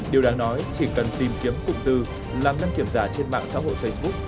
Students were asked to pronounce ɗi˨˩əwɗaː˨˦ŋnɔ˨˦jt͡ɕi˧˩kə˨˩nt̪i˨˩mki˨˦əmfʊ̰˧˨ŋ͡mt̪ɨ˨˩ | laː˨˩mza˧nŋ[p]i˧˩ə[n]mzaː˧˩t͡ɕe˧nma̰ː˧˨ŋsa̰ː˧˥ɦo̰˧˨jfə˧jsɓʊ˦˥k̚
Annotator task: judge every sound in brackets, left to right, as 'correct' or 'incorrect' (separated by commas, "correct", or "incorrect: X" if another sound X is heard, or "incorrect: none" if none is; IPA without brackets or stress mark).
incorrect: k, incorrect: none